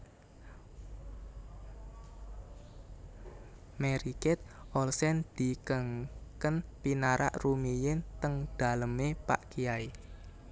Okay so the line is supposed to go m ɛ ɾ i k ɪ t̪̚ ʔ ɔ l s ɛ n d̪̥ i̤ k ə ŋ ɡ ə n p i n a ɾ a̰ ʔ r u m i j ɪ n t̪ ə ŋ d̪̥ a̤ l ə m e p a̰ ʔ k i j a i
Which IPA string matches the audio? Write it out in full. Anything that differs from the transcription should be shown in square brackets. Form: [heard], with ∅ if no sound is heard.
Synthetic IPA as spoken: m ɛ ɾ i k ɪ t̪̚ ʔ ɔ l s ɛ n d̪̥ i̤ k ə ŋ [k] ə n p i n a ɾ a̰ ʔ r u m i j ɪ n t̪ ə ŋ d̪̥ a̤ l ə m e p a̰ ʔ k i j a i